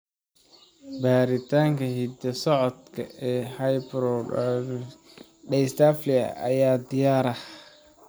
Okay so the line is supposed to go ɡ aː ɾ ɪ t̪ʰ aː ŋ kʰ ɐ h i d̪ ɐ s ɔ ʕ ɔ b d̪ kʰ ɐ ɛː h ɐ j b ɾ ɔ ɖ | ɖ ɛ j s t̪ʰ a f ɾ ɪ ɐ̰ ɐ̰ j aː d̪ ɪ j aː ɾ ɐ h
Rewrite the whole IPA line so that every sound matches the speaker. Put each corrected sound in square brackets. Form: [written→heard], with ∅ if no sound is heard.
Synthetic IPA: [ɡ→b] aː ɾ ɪ t̪ʰ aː ŋ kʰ ɐ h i d̪ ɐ s ɔ ʕ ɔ [b→∅] d̪ kʰ ɐ ɛː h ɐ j b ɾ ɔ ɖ | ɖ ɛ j s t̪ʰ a f [ɾ→l] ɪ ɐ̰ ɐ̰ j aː d̪ ɪ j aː ɾ ɐ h